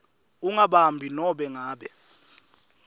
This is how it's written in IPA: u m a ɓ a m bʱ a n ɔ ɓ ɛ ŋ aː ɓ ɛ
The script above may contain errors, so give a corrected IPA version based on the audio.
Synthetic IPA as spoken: u ŋ a ɓ a m bʱ i n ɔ ɓ ɛ ŋ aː ɓ ɛ

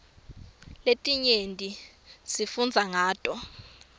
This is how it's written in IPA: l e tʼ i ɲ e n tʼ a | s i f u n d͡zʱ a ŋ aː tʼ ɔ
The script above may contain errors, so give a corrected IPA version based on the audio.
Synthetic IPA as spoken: l e tʼ i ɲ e n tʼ i | s i f u n d͡zʱ a ŋ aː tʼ ɔ

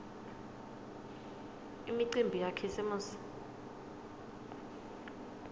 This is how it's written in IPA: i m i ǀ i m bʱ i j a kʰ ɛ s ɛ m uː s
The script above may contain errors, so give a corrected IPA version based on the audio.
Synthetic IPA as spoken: i m i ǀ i m bʱ i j a kʰ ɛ s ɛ m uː s

